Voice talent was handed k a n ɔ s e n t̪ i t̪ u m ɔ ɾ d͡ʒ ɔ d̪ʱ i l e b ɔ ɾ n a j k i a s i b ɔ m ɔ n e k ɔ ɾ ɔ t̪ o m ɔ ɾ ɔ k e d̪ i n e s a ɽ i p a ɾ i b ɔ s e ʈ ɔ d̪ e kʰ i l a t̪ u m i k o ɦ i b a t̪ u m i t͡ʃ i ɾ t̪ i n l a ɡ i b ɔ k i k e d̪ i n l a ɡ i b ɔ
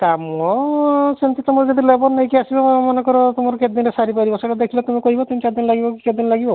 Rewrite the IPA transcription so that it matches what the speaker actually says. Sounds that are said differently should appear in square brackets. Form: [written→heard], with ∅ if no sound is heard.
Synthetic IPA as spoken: k a [n→m] ɔ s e n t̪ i t̪ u m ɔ ɾ d͡ʒ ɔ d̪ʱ i l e b ɔ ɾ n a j k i a s i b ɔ m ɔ n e k ɔ ɾ ɔ t̪ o m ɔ ɾ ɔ k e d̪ i n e s a [ɽ→ɾ] i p a ɾ i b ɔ s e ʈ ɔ d̪ e kʰ i l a t̪ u m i k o ɦ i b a t̪ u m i t͡ʃ [i→a] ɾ [t̪→d̪] i n l a ɡ i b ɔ k i k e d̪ i n l a ɡ i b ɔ